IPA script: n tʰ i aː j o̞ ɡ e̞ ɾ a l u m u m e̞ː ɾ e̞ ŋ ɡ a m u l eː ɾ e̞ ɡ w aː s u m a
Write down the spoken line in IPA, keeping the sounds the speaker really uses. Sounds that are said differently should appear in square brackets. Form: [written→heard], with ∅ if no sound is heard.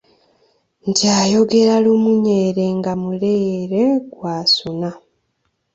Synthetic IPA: n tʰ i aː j o̞ ɡ e̞ ɾ a l u m u [m→ɲ] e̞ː ɾ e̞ ŋ ɡ a m u l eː ɾ e̞ ɡ w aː s u [m→n] a